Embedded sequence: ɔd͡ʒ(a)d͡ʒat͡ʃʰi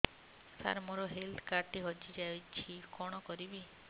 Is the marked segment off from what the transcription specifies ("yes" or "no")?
yes